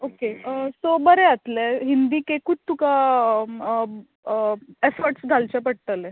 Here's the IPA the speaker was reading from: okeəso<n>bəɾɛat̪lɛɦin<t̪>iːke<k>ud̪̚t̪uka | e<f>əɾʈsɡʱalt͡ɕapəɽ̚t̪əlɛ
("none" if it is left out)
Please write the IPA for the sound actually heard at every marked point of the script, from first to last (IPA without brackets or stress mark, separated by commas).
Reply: none, d̪, k, f